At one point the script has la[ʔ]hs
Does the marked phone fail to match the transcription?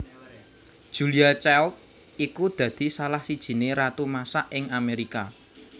yes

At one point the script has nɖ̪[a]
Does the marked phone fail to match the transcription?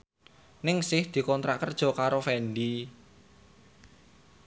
yes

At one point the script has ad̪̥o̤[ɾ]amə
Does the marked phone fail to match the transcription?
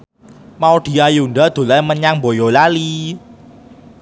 yes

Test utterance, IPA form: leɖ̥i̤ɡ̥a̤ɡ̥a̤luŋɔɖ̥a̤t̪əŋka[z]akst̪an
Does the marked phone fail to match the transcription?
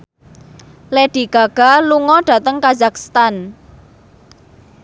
no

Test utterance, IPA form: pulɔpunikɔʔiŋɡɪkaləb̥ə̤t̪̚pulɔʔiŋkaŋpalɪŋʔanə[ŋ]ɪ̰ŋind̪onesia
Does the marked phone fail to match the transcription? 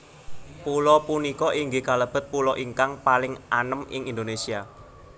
yes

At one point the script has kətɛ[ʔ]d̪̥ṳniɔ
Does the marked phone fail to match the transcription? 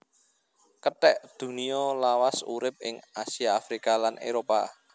no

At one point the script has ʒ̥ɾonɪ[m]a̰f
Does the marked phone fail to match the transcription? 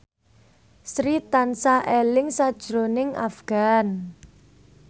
yes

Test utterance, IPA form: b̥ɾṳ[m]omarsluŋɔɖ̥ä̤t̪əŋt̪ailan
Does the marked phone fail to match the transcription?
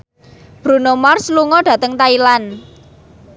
yes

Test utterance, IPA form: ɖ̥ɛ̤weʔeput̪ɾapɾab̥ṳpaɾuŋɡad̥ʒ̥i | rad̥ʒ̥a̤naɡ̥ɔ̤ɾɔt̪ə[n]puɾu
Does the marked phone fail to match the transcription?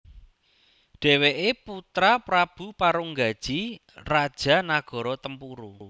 yes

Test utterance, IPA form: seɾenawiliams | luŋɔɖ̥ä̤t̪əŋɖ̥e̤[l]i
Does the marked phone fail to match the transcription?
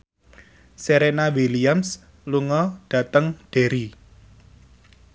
yes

